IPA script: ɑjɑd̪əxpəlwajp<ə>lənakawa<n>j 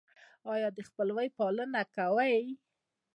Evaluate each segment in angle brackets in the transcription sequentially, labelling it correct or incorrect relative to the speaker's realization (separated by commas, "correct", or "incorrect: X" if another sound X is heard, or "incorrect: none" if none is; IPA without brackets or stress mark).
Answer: incorrect: ɑ, incorrect: none